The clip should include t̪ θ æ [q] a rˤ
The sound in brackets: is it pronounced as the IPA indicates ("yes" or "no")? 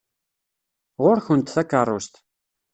no